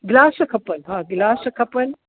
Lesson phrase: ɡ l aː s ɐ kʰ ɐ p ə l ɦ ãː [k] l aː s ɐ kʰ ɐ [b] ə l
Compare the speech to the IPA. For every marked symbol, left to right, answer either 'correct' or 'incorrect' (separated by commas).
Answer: incorrect, incorrect